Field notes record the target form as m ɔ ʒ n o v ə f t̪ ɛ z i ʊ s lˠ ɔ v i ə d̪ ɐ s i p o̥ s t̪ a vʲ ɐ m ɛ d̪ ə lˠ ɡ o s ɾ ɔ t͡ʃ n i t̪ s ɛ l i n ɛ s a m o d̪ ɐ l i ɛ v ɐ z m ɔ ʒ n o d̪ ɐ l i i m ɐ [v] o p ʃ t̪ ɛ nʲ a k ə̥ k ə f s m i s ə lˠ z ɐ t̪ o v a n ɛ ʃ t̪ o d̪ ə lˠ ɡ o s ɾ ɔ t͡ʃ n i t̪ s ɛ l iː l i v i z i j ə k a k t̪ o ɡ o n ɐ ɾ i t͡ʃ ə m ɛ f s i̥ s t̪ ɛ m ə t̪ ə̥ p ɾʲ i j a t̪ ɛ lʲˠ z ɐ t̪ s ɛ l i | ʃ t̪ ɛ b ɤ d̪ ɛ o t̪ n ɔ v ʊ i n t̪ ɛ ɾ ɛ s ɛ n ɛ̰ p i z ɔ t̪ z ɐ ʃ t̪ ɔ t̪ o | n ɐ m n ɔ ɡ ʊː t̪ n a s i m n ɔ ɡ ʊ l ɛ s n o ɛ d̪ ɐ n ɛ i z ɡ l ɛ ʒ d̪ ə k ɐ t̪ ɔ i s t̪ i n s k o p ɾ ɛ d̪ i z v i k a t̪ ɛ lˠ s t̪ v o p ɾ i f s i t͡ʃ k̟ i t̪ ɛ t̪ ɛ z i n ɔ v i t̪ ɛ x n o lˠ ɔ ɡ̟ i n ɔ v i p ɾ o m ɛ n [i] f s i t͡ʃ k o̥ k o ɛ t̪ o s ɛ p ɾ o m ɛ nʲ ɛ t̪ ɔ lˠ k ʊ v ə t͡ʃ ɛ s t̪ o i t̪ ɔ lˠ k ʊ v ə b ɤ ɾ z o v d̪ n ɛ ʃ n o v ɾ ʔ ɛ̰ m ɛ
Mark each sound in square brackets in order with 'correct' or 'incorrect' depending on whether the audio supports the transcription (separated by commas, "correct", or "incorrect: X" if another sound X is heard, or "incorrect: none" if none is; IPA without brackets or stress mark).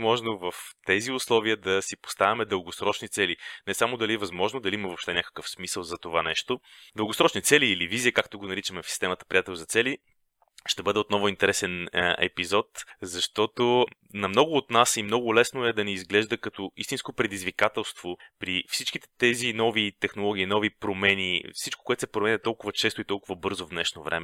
correct, correct